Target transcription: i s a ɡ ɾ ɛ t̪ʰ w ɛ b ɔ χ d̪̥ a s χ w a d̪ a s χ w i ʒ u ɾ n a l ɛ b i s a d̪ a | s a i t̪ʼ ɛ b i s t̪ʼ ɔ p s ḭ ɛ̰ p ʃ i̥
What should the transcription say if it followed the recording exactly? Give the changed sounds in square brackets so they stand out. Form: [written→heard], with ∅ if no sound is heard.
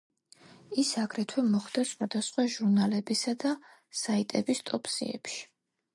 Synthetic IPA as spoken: i s a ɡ ɾ ɛ t̪ʰ w ɛ [b→m] ɔ χ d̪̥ a s χ w a d̪ a s χ w [i→a] ʒ u ɾ n a l ɛ b i s a d̪ a | s a i t̪ʼ ɛ b i s t̪ʼ ɔ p s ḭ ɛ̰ p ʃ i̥